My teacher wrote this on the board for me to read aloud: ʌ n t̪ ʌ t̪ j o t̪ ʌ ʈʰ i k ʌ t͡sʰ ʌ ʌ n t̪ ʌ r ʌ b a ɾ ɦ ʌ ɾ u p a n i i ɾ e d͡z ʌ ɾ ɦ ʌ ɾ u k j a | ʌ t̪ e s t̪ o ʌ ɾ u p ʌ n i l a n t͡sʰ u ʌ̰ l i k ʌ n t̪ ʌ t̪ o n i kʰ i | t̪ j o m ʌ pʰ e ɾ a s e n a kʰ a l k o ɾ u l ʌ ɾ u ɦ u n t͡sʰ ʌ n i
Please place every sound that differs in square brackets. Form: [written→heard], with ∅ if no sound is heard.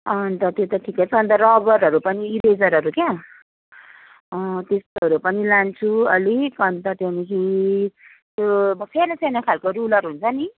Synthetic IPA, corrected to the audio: ʌ n t̪ ʌ t̪ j o t̪ ʌ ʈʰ i k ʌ t͡sʰ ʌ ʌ n t̪ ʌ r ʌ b [a→ʌ] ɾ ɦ ʌ ɾ u p [a→ʌ] n i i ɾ e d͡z ʌ ɾ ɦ ʌ ɾ u k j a | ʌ t̪ e s t̪ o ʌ ɾ u p ʌ n i l a n t͡sʰ u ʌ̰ l i k ʌ n t̪ ʌ t̪ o n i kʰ i | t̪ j o m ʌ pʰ e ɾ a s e n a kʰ a l k o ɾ u l ʌ ɾ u ɦ u n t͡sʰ ʌ n i